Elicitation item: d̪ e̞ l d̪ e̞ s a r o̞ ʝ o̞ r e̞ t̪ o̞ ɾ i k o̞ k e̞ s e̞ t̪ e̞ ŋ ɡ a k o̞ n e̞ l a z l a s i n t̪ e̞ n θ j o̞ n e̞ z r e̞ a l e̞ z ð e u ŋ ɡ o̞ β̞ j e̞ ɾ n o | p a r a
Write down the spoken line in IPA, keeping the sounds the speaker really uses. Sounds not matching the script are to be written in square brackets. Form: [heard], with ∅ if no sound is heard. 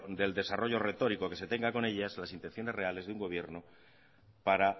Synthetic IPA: d̪ e̞ l d̪ e̞ s a r o̞ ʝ o̞ r e̞ t̪ o̞ ɾ i k o̞ k e̞ s e̞ t̪ e̞ ŋ ɡ a k o̞ n e̞ [ʎ] a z l a s i n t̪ e̞ n θ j o̞ n e̞ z r e̞ a l e̞ z ð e u ŋ ɡ o̞ β̞ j e̞ ɾ n o | p a [ɾ] a